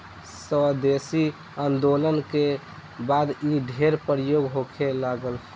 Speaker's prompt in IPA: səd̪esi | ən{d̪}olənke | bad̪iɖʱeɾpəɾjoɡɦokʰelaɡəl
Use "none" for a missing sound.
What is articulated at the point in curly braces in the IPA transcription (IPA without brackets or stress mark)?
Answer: d̪